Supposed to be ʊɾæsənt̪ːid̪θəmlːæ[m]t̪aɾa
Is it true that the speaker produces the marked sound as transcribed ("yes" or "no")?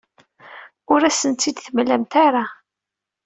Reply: yes